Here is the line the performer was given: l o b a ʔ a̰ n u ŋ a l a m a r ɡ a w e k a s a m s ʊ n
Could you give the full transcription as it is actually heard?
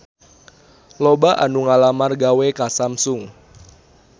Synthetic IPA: l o b a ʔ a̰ n u ŋ a l a m a r ɡ a w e k a s a m s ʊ ŋ